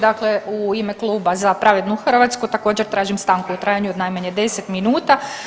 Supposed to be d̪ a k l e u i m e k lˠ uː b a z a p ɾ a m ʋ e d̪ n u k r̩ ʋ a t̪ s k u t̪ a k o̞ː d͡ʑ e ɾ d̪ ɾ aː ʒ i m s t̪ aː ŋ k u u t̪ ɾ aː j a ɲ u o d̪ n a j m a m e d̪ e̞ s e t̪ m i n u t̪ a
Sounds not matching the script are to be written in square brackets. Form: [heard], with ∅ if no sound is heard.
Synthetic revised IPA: d̪ a k l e u i m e k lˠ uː b a z a p ɾ a [∅] ʋ e d̪ n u [x] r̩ ʋ a t̪ s k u t̪ a k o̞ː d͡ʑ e ɾ [t̪] ɾ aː ʒ i m s t̪ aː ŋ k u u t̪ ɾ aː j a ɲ u o d̪ n a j m a [ɲ] e d̪ e̞ s e t̪ m i n [uː] t̪ a

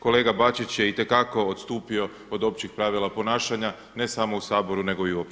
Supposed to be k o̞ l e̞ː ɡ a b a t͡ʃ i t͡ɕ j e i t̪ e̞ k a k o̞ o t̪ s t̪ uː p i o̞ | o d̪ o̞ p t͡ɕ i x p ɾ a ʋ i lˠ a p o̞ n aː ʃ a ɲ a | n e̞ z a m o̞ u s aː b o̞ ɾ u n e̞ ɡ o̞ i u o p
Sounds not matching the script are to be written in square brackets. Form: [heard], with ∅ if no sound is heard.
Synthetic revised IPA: k o̞ l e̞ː ɡ a b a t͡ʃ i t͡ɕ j e i t̪ e̞ k a k o̞ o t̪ s t̪ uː p i o̞ | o d̪ o̞ p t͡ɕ i x p ɾ a ʋ i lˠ a p o̞ n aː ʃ a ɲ a | n e̞ [s] a m o̞ u s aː b o̞ ɾ u n e̞ ɡ o̞ i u o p

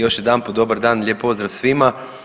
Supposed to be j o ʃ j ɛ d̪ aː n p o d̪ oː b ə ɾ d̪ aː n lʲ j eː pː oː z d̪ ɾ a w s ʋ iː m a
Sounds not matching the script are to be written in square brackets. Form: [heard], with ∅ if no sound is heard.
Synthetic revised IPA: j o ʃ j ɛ d̪ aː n p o d̪ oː b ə ɾ d̪ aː n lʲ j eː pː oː z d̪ ɾ a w s ʋ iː m a

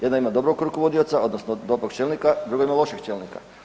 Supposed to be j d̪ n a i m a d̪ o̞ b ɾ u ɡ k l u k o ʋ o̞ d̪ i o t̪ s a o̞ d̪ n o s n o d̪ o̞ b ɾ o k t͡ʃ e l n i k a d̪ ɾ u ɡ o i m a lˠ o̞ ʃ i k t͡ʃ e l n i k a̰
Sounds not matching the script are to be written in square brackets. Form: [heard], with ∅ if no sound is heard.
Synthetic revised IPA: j d̪ n a i m a d̪ o̞ b ɾ [o] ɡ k [ɾ] u k o ʋ o̞ d̪ i o t̪ s a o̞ d̪ n o s n o d̪ o̞ b ɾ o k t͡ʃ e l n i k a d̪ ɾ u ɡ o i m a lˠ o̞ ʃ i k t͡ʃ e l n i k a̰

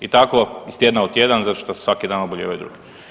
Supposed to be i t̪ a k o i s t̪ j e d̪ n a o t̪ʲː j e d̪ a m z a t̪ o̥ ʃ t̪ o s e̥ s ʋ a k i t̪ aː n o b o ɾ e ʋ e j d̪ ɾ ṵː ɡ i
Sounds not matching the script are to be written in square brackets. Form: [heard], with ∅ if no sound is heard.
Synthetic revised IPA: i t̪ a k o i s t̪ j e d̪ n a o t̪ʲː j e d̪ a [n] z a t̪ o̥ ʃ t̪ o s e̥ s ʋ a k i [d̪] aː n o b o [ʎ] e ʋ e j d̪ ɾ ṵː ɡ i

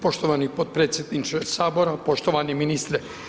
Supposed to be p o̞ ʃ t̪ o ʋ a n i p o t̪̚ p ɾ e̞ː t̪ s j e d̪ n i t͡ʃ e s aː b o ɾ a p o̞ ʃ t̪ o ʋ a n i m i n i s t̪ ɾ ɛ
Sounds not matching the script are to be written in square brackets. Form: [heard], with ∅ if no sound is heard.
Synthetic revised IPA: p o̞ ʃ t̪ o ʋ a n i p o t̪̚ p ɾ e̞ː t̪ s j e d̪ n i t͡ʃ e s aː b o ɾ a p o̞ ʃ t̪ o ʋ a n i m i n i s t̪ ɾ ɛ

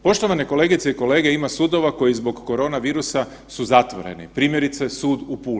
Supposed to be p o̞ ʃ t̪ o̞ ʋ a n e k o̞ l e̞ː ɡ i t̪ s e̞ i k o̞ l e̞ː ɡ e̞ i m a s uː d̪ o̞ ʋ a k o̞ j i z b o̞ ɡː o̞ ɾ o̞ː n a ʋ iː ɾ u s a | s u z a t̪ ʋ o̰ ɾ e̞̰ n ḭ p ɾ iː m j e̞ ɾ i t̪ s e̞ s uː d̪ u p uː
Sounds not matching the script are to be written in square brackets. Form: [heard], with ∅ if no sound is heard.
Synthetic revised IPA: p o̞ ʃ t̪ o̞ ʋ a n e k o̞ l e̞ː ɡ i t̪ s e̞ i k o̞ l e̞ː ɡ e̞ i m a s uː d̪ o̞ ʋ a k o̞ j i z b o̞ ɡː o̞ ɾ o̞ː n a ʋ iː ɾ u s a | s u z a t̪ ʋ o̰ ɾ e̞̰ n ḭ p ɾ iː m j e̞ ɾ i t̪ s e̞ s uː d̪ u p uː

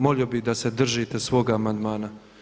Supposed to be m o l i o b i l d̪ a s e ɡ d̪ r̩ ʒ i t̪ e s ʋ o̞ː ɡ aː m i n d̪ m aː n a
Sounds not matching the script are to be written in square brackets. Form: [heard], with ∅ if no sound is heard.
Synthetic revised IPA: m o l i o b i [∅] d̪ a s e [∅] d̪ r̩ ʒ i t̪ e s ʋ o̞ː ɡ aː m [a] n d̪ m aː n a

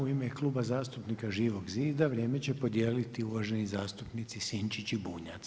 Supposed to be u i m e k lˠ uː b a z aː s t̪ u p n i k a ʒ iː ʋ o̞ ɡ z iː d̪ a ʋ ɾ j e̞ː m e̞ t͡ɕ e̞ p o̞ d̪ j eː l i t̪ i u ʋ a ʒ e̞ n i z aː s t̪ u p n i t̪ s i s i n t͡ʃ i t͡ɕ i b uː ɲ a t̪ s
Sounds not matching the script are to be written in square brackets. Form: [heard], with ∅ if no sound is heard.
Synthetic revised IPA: u i m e k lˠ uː b a z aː s t̪ u p n i k a ʒ iː ʋ o̞ ɡ z iː d̪ a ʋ ɾ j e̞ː m e̞ t͡ɕ e̞ p o̞ d̪ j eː l i t̪ i u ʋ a ʒ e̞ n i z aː s t̪ u p n i t̪ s i s i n t͡ʃ i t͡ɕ i b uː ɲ a t̪ s

